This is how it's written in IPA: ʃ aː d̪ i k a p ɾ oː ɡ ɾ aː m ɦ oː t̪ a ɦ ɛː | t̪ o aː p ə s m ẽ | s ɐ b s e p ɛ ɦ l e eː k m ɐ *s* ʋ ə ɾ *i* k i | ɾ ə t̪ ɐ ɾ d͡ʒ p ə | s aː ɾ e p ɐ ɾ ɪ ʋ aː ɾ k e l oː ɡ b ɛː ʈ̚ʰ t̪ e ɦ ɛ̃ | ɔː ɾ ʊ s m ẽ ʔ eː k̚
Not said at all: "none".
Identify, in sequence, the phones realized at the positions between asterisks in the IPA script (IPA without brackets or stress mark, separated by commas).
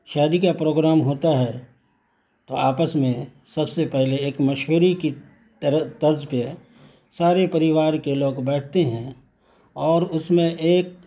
ʃ, i